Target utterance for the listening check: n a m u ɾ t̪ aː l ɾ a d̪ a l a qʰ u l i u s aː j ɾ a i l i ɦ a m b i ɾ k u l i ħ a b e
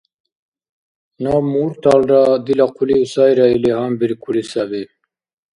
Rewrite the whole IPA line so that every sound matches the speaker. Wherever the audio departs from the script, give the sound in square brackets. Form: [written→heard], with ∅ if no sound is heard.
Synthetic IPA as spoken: n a m u ɾ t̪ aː l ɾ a d̪ [a→i] l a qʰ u l i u s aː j ɾ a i l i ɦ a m b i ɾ k u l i [ħ→s] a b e